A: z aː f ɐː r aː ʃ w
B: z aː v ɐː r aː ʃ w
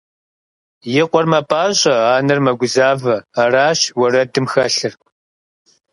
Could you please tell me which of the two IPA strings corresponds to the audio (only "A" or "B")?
B